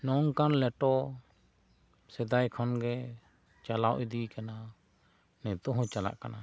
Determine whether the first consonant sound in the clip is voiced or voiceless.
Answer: voiced